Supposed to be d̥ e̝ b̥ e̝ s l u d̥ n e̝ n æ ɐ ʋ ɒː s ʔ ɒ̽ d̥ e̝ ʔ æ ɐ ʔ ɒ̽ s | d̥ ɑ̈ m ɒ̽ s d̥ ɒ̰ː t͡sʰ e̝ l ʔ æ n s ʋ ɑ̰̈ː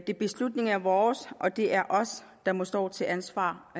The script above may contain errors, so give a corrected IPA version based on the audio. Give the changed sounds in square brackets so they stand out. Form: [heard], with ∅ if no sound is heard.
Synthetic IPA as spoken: d̥ e̝ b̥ e̝ s l u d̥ n e̝ [ŋ] æ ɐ ʋ ɒː s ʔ ɒ̽ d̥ e̝ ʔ æ ɐ ʔ ɒ̽ s | d̥ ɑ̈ m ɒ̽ s d̥ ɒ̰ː t͡sʰ e̝ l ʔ æ n s ʋ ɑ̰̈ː